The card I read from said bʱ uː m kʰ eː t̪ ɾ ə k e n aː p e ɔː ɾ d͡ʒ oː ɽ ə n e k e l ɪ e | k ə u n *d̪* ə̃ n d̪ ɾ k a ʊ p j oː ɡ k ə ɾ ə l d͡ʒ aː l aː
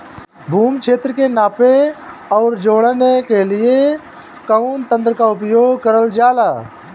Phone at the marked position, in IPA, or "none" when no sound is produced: t̪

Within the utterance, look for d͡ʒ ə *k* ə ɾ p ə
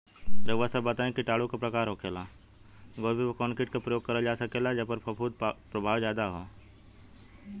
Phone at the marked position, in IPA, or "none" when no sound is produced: p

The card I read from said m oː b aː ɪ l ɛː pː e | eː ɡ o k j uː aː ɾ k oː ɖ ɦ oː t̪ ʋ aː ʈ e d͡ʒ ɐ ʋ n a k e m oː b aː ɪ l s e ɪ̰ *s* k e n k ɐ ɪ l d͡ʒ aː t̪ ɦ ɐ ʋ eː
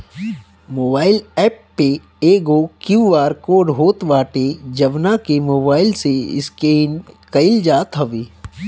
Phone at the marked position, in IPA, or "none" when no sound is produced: s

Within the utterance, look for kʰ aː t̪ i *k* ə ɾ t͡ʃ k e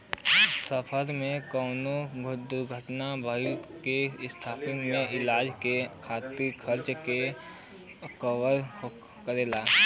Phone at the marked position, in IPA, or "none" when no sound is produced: kʰ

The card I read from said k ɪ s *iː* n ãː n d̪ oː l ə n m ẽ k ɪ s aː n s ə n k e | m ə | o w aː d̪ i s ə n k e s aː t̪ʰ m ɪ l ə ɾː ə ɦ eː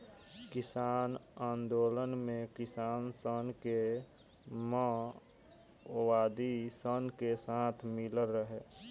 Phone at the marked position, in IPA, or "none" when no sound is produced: aː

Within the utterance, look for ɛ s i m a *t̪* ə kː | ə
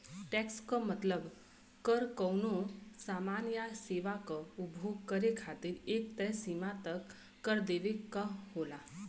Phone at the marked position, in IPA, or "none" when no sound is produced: t̪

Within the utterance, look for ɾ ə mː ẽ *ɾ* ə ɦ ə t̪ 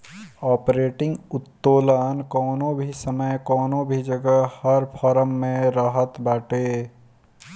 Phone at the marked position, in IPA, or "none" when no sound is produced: ɾ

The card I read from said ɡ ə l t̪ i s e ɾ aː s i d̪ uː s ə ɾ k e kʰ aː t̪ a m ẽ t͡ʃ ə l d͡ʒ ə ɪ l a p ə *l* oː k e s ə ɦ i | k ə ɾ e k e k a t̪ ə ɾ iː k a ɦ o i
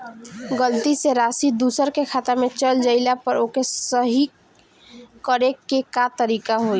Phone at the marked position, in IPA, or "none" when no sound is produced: ɾ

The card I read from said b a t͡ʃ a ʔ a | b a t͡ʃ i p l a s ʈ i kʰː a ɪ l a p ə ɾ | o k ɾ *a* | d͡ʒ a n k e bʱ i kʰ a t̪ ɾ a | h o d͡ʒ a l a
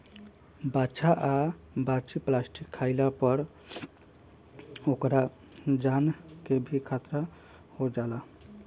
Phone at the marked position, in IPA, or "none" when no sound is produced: a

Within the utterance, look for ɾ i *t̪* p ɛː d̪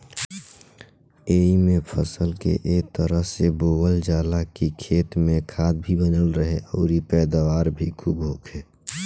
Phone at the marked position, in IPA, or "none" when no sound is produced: none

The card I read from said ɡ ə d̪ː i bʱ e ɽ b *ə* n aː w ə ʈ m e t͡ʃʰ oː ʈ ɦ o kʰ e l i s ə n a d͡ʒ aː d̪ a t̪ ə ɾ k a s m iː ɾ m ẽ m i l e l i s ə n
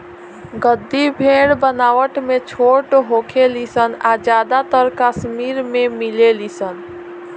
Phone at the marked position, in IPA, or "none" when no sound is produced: ə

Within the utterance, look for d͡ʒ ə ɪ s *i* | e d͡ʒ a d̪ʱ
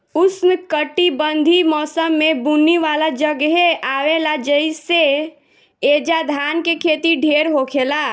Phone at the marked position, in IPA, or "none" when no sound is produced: e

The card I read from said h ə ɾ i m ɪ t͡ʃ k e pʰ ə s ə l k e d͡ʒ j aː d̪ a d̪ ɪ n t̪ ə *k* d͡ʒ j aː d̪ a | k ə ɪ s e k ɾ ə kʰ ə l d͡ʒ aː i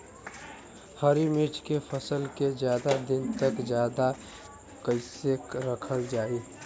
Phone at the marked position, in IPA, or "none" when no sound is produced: k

